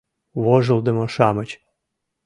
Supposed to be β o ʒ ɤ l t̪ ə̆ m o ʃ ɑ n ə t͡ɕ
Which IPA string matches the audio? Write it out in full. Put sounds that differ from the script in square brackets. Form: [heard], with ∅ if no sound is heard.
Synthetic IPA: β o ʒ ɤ l [d̪] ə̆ m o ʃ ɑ [m] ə t͡ɕ